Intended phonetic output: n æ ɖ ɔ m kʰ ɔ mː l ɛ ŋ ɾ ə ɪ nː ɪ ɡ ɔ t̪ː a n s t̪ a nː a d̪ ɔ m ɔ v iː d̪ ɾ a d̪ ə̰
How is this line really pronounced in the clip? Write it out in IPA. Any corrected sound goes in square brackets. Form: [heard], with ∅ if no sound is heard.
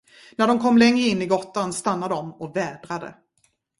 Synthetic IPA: n æ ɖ ɔ m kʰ ɔ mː l ɛ ŋ ɾ ə ɪ nː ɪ ɡ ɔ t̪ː a n s t̪ a nː a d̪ ɔ m ɔ v [ɛː] d̪ ɾ a d̪ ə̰